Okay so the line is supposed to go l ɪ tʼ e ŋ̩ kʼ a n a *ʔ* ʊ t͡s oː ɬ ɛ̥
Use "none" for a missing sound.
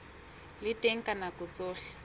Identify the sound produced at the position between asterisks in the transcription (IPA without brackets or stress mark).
k